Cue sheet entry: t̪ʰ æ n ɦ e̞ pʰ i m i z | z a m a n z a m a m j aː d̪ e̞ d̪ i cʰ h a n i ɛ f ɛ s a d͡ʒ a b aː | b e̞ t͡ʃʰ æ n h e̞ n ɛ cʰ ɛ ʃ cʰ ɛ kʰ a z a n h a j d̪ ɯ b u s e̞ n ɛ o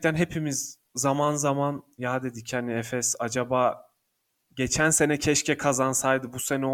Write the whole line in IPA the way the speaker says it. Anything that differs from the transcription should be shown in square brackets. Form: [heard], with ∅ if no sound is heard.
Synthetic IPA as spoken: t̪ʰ æ n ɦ e̞ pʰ i m i z | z a m a n z a m a [n] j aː d̪ e̞ d̪ i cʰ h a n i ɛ f ɛ s a d͡ʒ a b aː | [ɟ] e̞ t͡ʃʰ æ n [s] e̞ n ɛ cʰ ɛ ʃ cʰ ɛ kʰ a z a n [s] a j d̪ ɯ b u s e̞ n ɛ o